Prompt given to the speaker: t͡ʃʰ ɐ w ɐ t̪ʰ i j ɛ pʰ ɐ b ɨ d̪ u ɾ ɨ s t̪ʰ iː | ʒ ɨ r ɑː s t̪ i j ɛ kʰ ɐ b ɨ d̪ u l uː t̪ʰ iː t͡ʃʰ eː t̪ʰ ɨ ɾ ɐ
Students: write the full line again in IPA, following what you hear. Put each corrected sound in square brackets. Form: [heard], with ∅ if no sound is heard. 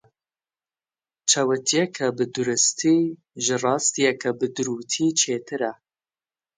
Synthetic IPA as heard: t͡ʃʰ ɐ w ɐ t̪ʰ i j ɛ [kʰ] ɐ b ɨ d̪ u ɾ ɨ s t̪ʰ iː | ʒ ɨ r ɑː s t̪ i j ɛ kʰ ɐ b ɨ d̪ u [ɾ] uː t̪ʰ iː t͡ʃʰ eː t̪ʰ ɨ ɾ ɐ

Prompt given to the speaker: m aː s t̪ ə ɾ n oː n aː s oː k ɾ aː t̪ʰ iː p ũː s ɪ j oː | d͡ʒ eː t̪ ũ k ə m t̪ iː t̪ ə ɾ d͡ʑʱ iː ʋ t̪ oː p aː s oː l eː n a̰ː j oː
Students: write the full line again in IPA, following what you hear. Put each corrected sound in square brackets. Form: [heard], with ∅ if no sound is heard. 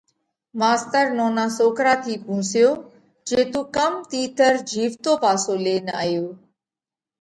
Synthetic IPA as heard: m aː s t̪ ə ɾ n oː n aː s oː k ɾ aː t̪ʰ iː p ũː s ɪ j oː | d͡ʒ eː t̪ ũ k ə m t̪ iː t̪ ə ɾ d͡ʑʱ iː ʋ t̪ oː p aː s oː l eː n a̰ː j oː

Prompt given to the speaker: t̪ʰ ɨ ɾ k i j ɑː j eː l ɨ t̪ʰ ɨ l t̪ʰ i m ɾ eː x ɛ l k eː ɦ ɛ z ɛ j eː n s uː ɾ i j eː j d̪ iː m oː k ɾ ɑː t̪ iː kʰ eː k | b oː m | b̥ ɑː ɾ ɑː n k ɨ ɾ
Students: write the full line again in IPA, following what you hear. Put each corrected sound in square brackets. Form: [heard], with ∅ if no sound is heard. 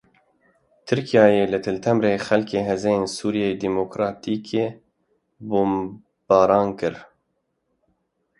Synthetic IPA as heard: t̪ʰ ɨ ɾ k i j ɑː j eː l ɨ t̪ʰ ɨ l t̪ʰ [ɛ] m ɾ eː x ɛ l k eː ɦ ɛ z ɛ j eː n s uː ɾ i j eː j d̪ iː m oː k ɾ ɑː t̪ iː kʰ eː [∅] | b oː m | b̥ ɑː ɾ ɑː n k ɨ ɾ

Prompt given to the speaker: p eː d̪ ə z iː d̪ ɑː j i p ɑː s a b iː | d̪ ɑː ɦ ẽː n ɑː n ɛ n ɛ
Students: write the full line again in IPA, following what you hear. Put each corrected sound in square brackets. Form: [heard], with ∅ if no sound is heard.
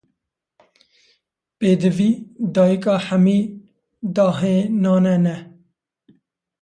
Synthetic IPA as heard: p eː d̪ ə [v] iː d̪ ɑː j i [k] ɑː [ħ] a [m] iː | d̪ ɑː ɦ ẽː n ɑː n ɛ n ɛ

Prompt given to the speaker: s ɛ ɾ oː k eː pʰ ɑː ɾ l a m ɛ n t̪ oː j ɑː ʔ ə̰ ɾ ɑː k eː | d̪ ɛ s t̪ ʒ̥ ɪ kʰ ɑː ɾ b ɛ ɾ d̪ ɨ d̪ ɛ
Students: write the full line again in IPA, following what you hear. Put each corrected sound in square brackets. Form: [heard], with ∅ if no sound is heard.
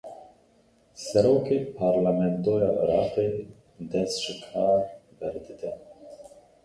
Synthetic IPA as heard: s ɛ ɾ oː k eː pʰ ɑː ɾ l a m ɛ n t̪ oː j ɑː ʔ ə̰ ɾ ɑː [q] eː | d̪ ɛ s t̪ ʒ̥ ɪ kʰ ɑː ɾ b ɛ ɾ d̪ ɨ d̪ ɛ

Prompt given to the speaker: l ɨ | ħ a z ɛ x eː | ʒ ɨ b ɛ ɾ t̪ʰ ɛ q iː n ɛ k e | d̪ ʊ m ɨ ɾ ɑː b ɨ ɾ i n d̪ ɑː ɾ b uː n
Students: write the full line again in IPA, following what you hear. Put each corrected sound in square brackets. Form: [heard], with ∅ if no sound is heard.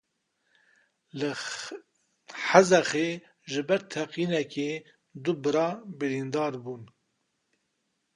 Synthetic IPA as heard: l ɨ | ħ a z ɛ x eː | ʒ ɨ b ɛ ɾ t̪ʰ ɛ q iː n ɛ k e | d̪ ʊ [b] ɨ ɾ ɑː b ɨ ɾ i n d̪ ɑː ɾ b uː n

